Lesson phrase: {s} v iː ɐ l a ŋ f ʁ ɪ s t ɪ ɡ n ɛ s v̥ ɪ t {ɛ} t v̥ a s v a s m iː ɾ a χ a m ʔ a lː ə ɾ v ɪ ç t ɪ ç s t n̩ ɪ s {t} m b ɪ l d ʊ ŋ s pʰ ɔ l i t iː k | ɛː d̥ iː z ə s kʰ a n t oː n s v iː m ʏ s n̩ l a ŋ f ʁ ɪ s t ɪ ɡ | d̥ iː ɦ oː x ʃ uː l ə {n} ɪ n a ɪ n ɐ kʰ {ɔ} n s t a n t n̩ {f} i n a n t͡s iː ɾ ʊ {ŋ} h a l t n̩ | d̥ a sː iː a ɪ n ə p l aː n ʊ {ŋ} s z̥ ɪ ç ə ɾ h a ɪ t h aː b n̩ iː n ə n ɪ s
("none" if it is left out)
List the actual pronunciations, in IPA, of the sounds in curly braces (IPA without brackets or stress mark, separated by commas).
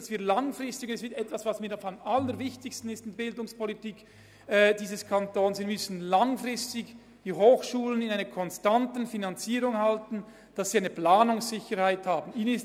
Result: s, ɛ, t, n, ɔ, f, ŋ, ŋ